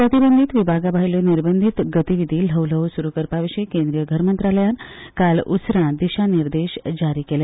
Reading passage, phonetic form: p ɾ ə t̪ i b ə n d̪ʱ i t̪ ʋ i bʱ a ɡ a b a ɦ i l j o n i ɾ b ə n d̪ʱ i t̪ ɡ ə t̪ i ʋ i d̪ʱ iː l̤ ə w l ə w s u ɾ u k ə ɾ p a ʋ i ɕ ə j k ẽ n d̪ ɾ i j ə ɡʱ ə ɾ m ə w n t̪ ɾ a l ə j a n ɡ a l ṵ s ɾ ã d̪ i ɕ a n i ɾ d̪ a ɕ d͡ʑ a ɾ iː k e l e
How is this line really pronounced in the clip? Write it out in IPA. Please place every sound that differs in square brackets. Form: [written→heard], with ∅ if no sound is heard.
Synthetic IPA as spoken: p ɾ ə t̪ i b ə n d̪ʱ i t̪ ʋ i bʱ a ɡ a b a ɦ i l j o n i ɾ b ə n d̪ʱ i t̪ ɡ ə t̪ i ʋ i d̪ʱ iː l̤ ə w l ə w s u ɾ u k ə ɾ p a ʋ i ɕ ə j k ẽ n d̪ ɾ i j ə ɡʱ ə ɾ m ə [w→∅] n t̪ ɾ a l ə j a n [ɡ→k] a l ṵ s ɾ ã d̪ i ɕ a n i ɾ d̪ [a→e] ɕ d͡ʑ a ɾ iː k e l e